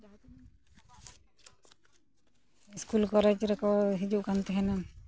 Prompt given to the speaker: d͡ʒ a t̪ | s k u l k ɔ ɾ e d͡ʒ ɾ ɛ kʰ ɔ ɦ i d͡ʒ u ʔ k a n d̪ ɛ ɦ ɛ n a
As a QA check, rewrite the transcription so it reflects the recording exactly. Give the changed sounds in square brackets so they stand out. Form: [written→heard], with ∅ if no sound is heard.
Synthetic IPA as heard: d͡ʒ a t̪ | s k u l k ɔ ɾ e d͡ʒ ɾ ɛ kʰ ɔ ɦ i d͡ʒ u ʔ k a n [d̪→t̪] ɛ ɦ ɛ n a